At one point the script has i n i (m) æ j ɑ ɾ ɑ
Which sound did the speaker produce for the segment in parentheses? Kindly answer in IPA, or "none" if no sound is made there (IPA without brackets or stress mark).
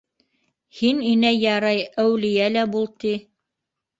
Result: n